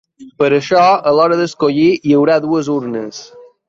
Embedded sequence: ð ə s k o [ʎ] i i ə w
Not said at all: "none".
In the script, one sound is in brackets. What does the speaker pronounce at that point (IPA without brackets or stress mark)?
ʎ